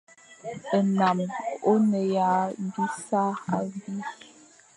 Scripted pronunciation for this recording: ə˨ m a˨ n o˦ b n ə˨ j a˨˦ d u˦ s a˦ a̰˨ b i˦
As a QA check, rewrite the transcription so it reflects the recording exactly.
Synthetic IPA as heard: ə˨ n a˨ m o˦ n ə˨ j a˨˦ d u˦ s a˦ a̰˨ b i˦